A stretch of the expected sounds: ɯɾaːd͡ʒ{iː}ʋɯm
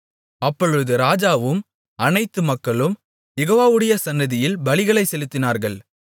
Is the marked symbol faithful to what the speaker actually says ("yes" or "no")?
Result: no